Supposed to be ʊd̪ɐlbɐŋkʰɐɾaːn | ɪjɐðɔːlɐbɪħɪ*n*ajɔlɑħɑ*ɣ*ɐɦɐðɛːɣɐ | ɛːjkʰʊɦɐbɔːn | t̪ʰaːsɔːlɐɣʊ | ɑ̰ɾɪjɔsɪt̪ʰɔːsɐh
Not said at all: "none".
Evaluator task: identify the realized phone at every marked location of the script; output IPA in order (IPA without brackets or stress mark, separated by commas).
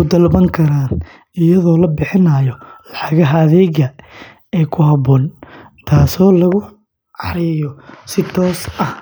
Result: n, ɣ